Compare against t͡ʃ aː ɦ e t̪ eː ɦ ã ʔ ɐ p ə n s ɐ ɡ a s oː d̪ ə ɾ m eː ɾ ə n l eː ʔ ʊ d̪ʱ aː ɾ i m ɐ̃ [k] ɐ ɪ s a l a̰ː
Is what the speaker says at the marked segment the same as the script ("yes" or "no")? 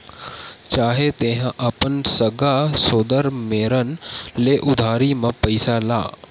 no